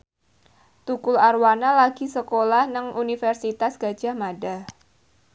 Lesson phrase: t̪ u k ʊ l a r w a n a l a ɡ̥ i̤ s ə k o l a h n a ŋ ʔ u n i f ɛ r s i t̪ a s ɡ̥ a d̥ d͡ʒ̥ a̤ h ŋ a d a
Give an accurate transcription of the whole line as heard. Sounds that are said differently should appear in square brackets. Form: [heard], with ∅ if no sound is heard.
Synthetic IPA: t̪ u k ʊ l a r w a n a l a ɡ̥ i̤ s ə k o l a h n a ŋ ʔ u n i f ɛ r s i t̪ a s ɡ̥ a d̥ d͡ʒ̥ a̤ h [m] a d a